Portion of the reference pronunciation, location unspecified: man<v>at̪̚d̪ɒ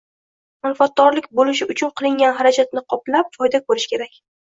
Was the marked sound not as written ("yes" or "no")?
yes